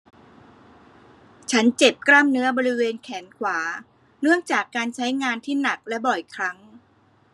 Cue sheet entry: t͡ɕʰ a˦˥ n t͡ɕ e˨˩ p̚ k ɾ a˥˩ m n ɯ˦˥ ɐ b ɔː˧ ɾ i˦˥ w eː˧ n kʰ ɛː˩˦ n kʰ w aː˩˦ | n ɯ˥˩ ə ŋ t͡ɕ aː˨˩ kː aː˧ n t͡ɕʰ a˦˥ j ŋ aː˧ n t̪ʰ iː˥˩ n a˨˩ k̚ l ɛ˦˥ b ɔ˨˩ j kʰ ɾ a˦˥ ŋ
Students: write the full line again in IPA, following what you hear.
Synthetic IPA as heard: t͡ɕʰ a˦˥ n t͡ɕ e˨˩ p̚ k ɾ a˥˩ m n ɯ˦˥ ɐ b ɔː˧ ɾ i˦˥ w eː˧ n kʰ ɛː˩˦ n kʰ w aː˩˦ | n ɯ˥˩ ə ŋ t͡ɕ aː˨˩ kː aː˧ n t͡ɕʰ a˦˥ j ŋ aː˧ n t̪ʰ iː˥˩ n a˨˩ k̚ l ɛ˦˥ b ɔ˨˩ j kʰ ɾ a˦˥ ŋ